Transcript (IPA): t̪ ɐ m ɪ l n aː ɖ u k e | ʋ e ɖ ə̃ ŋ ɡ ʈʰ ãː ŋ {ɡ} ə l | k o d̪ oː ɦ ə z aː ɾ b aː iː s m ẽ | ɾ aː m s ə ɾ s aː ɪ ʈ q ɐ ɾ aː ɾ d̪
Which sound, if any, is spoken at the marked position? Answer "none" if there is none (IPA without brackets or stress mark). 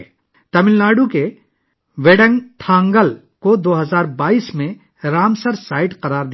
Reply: ɡ